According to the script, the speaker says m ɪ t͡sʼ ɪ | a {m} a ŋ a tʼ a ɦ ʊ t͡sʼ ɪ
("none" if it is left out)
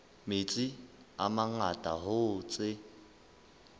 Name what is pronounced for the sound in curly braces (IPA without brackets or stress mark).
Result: m